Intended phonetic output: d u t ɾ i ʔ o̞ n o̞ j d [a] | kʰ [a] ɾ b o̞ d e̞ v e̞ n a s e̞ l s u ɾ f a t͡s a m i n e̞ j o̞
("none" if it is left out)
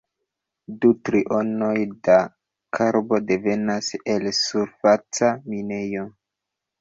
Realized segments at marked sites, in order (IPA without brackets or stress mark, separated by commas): a, a